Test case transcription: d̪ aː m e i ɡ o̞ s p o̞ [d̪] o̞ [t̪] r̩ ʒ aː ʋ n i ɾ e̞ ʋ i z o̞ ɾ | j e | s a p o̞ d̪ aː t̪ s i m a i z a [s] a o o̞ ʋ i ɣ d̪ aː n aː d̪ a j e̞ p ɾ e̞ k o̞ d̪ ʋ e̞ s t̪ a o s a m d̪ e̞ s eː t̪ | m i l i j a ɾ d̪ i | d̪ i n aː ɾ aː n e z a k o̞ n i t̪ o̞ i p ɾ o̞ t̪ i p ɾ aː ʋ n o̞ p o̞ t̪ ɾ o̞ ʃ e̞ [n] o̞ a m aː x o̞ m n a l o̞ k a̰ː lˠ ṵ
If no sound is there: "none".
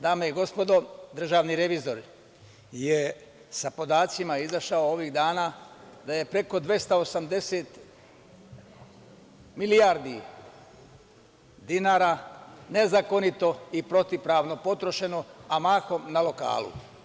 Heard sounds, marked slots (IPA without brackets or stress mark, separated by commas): d̪, d̪, ʃ, n